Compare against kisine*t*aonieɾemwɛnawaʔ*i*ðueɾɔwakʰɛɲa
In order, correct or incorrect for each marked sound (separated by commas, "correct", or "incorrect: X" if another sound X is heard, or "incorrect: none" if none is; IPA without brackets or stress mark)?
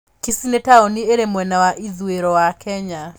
correct, correct